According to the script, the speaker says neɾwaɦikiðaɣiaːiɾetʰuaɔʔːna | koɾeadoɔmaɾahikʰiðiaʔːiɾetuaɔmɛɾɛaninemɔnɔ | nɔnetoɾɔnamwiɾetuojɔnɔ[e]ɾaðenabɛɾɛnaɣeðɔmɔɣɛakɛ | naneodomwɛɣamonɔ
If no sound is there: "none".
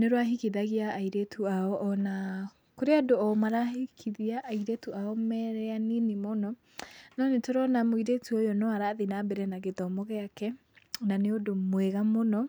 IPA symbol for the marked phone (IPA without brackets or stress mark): a